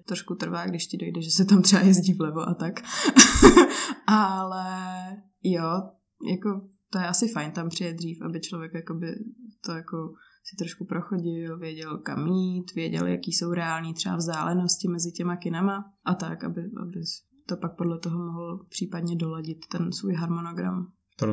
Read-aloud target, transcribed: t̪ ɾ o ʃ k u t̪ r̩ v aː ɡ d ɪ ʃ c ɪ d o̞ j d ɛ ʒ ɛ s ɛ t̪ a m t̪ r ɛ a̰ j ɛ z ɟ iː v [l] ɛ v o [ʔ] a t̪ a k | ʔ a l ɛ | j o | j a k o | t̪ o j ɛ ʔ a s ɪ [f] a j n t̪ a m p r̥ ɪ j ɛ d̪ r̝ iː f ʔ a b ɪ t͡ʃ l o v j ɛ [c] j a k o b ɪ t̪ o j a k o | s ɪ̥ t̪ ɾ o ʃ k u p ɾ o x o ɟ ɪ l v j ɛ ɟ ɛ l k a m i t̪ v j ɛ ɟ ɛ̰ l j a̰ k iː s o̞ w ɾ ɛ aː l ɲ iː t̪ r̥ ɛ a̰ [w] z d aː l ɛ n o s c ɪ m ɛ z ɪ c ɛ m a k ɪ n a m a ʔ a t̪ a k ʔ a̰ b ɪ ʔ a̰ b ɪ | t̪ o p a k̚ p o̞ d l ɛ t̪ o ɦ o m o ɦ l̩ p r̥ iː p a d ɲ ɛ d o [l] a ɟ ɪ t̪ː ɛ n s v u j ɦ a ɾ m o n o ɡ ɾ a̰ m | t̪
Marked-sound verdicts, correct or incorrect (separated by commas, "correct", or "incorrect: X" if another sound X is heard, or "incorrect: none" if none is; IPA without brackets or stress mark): correct, correct, correct, incorrect: k, incorrect: v, correct